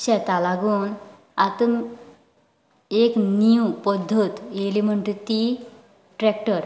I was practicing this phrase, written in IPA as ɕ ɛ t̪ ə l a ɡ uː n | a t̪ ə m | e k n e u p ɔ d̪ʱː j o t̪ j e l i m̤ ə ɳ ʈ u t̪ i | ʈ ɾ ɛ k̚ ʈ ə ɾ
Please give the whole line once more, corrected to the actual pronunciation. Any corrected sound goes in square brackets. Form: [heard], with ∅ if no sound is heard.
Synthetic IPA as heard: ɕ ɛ t̪ [a] l a ɡ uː n | a t̪ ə m | e k n [i] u p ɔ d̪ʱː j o t̪ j e l i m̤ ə ɳ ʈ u t̪ i | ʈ ɾ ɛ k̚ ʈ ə ɾ